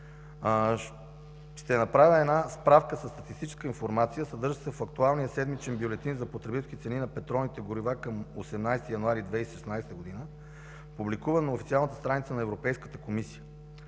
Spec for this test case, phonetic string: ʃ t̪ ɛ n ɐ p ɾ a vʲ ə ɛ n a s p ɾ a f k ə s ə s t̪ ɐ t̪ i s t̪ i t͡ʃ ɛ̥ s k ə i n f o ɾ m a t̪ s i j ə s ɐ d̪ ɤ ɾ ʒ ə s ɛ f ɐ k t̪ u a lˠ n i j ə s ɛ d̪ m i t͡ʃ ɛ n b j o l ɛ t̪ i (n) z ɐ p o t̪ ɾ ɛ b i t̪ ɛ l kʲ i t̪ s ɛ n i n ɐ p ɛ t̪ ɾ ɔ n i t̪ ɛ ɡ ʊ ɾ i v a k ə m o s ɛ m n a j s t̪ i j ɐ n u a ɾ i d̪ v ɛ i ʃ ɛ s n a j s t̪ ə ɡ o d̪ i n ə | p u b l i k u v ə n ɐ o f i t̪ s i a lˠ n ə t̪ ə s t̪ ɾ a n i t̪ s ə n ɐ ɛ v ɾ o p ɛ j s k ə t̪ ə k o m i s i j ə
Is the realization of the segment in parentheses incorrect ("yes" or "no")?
no